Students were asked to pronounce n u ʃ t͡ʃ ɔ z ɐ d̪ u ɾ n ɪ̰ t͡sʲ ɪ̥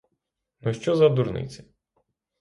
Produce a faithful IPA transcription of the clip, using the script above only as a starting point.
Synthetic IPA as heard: n ɔ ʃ t͡ʃ ɔ z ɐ d̪ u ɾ n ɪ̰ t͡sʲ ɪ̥